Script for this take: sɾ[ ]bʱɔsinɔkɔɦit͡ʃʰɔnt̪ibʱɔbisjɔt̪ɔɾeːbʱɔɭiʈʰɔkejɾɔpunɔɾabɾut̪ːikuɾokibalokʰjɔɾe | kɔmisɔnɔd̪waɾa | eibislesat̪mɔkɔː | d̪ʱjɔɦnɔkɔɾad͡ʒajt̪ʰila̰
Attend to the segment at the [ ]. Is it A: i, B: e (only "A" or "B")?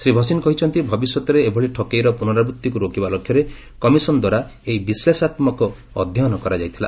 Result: A